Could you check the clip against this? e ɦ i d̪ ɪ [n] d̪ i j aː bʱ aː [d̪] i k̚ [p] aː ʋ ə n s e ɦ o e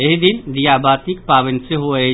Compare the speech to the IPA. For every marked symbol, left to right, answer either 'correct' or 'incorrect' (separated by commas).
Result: correct, incorrect, correct